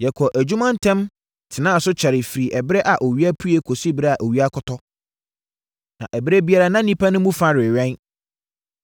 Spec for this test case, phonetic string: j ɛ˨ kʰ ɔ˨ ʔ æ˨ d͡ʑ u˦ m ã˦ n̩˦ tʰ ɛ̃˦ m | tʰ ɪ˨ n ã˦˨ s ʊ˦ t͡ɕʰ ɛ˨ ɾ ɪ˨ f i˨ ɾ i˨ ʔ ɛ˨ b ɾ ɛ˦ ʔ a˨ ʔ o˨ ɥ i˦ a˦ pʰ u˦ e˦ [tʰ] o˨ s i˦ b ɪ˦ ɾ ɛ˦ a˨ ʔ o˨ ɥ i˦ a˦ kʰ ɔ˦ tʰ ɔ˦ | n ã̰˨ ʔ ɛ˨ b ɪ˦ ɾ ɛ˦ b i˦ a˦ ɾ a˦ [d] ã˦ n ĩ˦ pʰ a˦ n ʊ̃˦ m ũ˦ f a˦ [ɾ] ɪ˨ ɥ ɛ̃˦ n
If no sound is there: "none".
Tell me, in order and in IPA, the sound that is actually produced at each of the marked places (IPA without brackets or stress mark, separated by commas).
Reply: kʰ, n, ɾ